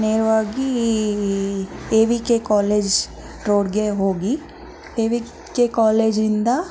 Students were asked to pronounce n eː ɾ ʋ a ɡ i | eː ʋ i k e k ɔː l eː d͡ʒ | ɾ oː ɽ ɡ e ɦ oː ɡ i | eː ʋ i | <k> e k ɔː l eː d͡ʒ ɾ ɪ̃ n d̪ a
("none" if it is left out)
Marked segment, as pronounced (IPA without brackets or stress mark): k